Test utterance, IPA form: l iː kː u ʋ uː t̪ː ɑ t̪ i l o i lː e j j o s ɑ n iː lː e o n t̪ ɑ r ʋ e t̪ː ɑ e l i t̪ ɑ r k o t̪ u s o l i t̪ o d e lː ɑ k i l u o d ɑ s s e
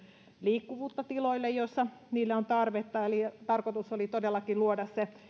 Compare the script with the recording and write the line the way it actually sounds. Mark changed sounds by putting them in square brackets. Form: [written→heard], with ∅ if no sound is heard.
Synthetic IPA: l iː kː u ʋ uː t̪ː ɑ t̪ i l o i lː e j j o [s→sː] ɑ n iː lː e o n t̪ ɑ r ʋ e t̪ː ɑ e l i t̪ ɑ r k o t̪ u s o l i t̪ o d e lː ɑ k i l u o d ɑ s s e